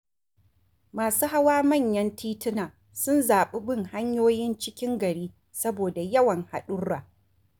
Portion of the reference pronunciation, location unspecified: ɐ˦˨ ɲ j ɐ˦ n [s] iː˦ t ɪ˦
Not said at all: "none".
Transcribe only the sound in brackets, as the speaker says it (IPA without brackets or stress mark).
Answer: t